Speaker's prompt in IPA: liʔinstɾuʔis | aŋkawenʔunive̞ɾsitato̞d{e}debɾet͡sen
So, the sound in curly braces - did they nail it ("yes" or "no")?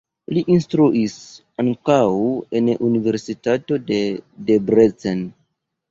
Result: yes